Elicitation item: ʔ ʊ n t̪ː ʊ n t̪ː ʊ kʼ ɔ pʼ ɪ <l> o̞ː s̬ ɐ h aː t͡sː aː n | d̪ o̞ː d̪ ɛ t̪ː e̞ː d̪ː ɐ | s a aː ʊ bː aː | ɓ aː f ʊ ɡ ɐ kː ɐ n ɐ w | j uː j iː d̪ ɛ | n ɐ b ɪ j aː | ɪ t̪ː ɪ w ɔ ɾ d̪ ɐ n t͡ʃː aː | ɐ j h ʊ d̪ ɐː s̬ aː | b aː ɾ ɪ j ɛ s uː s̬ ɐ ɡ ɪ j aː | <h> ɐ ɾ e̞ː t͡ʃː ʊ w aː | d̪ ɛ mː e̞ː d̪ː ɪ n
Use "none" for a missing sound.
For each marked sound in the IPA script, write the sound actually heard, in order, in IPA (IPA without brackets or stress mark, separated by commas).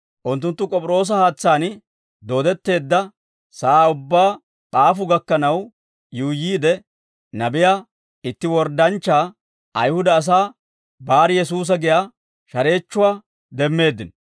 ɾ, ʃ